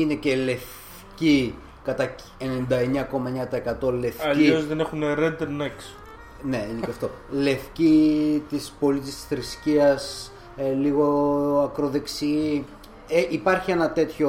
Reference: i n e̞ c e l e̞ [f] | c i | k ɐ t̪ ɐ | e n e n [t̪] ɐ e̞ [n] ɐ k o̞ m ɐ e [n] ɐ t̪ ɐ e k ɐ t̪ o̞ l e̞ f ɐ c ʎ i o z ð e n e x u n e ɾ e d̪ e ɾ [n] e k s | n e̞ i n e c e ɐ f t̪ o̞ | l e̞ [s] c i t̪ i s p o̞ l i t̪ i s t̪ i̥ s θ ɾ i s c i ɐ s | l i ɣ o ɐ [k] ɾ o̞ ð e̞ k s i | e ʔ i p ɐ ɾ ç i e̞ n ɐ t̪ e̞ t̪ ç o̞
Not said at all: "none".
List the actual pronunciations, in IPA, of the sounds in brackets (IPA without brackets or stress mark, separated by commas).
f, d̪, ɲ, ɲ, n, f, k